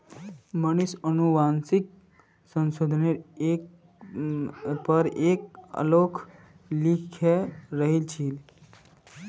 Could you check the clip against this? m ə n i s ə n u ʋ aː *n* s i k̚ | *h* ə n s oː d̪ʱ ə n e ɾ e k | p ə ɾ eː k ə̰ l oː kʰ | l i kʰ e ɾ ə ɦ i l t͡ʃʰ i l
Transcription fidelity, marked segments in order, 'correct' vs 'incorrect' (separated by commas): correct, incorrect